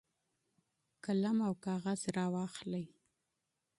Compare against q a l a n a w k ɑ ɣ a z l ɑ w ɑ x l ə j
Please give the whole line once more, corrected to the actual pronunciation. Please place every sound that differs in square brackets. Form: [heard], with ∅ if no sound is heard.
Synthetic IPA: [k] a l a [m] a w k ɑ ɣ a z [ɾ] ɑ w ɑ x l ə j